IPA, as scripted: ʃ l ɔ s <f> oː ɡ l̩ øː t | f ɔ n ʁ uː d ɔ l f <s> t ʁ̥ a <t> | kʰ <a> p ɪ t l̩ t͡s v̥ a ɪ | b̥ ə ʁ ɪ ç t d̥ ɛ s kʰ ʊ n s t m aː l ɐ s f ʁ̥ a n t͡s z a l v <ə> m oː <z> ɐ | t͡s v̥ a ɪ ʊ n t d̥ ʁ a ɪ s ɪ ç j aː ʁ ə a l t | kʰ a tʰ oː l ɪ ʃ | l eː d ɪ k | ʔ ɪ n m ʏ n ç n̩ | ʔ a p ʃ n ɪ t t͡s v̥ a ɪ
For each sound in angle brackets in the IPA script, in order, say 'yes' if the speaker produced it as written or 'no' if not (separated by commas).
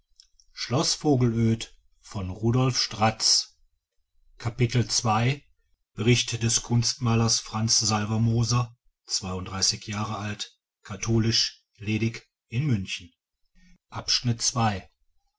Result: yes, no, no, yes, no, yes